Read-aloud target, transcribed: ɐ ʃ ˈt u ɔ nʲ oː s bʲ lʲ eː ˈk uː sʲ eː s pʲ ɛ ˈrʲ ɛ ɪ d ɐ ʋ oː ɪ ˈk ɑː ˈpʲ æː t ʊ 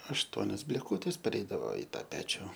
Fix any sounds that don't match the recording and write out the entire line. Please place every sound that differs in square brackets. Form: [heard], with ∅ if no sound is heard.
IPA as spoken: ɐ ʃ ˈt u ɔ nʲ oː s bʲ lʲ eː ˈk uː [tʲ] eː s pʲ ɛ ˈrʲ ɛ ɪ d ɐ ʋ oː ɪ [ˈt] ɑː ˈpʲ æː [t͡ʃʲ] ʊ